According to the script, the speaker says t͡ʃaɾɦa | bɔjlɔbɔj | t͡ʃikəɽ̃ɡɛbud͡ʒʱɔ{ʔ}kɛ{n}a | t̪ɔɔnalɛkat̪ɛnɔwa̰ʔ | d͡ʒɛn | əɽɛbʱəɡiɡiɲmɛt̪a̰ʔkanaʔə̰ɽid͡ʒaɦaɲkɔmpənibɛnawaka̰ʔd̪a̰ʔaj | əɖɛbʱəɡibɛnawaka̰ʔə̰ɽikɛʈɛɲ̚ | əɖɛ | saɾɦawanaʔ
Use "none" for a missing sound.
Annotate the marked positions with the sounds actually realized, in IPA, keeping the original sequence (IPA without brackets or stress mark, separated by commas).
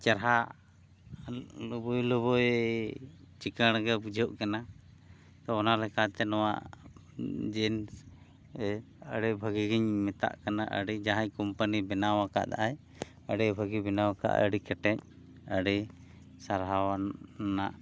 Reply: ʔ, n